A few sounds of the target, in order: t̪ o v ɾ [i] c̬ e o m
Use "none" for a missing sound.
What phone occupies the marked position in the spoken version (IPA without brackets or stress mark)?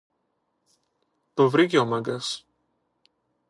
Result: i